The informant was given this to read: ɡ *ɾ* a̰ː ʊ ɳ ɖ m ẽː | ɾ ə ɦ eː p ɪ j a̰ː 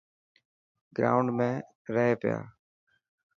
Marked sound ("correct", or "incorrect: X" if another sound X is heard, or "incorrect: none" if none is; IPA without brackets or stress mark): correct